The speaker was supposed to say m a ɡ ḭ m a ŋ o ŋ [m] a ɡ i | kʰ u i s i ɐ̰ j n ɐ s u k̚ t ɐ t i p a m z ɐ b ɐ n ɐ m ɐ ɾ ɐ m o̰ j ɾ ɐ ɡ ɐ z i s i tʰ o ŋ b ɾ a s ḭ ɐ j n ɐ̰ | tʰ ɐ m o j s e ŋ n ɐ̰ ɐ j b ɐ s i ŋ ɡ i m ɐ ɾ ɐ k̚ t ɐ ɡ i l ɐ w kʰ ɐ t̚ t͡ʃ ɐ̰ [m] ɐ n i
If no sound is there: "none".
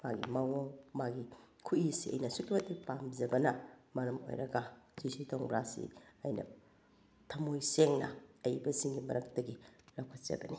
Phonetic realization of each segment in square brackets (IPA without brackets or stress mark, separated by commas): m, b